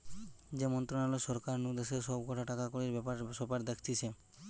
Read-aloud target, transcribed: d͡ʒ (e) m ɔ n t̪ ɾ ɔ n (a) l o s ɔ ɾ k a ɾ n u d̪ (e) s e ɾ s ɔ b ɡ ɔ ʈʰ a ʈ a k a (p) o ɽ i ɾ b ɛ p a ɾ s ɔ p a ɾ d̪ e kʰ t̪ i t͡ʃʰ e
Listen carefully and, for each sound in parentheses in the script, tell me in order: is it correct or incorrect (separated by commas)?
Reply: correct, correct, correct, incorrect